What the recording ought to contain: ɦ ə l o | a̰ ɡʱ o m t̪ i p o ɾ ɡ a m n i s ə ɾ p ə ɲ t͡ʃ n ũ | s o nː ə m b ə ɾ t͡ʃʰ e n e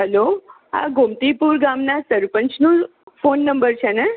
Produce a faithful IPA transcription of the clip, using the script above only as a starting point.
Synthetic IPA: ɦ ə l o | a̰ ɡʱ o m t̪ i p u ɾ ɡ a m n a s ə ɾ p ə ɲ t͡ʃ n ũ | f o nː ə m b ə ɾ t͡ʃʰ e n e